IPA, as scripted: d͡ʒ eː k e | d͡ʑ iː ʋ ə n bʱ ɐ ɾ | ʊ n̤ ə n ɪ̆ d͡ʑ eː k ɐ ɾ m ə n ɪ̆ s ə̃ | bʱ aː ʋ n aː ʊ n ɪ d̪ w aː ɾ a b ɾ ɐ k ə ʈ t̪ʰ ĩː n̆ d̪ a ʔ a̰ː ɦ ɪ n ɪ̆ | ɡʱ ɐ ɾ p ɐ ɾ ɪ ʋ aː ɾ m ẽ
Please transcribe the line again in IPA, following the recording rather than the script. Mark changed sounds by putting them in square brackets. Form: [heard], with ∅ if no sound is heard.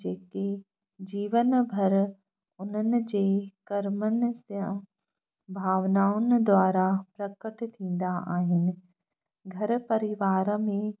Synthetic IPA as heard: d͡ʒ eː k e | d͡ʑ iː ʋ ə n bʱ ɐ ɾ | ʊ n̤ ə n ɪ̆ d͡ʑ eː k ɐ ɾ m ə n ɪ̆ s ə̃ | bʱ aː ʋ n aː ʊ n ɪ d̪ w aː ɾ a [p] ɾ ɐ k ə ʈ t̪ʰ ĩː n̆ d̪ a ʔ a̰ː ɦ ɪ n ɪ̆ | ɡʱ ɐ ɾ p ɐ ɾ ɪ ʋ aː ɾ m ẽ

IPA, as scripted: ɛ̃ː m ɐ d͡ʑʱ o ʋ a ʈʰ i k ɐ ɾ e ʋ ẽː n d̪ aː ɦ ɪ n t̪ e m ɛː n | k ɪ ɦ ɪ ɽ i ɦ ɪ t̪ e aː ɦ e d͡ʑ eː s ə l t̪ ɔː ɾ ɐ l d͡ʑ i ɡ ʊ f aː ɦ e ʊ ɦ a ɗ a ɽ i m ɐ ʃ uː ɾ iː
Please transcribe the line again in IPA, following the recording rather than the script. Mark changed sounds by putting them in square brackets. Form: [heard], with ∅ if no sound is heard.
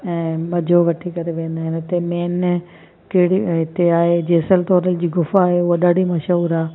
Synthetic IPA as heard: ɛ̃ː m ɐ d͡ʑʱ o ʋ [ɐ] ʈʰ i k ɐ ɾ e ʋ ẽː n d̪ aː ɦ ɪ n t̪ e m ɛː n | k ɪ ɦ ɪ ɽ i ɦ ɪ t̪ e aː ɦ e d͡ʑ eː s ə l t̪ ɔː ɾ [ə] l d͡ʑ [iː] ɡ ʊ f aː ɦ e ʊ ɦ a ɗ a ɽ i m ɐ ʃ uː ɾ [aː]

